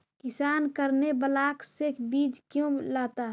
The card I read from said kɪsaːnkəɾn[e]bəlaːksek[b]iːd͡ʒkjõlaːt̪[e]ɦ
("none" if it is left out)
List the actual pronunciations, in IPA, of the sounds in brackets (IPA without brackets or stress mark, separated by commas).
e, b, a